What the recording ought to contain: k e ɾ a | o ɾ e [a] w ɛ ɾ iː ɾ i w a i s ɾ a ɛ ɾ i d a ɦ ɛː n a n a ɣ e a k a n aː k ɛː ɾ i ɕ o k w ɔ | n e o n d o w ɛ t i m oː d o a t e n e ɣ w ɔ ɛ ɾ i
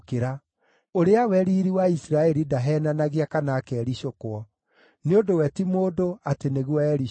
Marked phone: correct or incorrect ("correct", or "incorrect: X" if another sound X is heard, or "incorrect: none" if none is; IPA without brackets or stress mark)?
correct